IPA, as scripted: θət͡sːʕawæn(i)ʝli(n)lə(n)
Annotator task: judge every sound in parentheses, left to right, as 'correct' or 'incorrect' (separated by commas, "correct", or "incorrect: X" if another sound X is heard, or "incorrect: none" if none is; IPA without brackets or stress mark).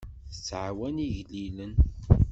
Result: correct, incorrect: none, correct